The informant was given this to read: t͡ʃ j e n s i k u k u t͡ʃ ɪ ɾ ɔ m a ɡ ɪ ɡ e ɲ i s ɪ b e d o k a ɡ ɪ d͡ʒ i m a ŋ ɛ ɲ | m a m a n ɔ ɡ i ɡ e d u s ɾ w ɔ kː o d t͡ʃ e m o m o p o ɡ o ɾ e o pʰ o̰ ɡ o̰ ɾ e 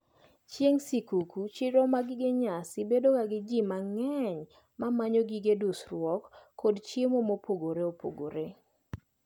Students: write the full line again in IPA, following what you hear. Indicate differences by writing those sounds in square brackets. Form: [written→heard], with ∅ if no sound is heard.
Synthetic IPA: t͡ʃ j e [n→ŋ] s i k u k u t͡ʃ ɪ ɾ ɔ m a ɡ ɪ ɡ e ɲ [i→a] s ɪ b e d o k a ɡ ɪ d͡ʒ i m a ŋ ɛ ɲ | m a m a [n→ɲ] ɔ ɡ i ɡ e d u s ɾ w ɔ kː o d t͡ʃ e m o m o p o ɡ o ɾ e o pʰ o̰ ɡ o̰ ɾ e